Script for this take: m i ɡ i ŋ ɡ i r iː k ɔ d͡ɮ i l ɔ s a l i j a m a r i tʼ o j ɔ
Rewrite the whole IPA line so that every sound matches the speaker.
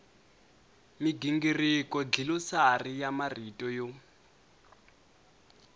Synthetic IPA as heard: m i ɡ i ŋ ɡ i r i k ɔ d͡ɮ i l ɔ s a r i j a m a r i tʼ ɔ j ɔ